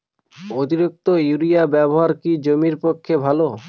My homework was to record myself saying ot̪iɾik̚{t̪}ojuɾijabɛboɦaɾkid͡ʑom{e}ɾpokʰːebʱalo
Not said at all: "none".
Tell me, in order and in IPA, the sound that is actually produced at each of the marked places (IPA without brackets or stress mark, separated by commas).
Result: t̪, i